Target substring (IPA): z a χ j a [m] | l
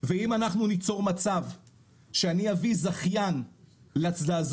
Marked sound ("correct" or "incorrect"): incorrect